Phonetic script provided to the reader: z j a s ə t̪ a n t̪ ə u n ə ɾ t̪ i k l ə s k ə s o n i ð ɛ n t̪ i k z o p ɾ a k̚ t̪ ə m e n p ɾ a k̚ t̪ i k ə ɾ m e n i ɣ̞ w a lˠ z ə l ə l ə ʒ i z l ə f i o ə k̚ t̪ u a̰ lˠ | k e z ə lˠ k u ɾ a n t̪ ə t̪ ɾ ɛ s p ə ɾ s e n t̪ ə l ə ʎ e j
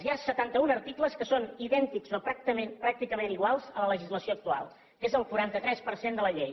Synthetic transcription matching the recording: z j a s ə t̪ a n t̪ ə u n ə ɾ t̪ i k l ə s k ə s o n i ð ɛ n t̪ i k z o p ɾ a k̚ t̪ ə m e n p ɾ a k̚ t̪ i k ə m e n i ɣ̞ w a lˠ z ə l ə l ə ʒ i z l ə s i o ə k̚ t̪ u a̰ lˠ | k e z ə lˠ k u ɾ a n t̪ ə t̪ ɾ ɛ s p ə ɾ s e n d̪ ə l ə ʎ e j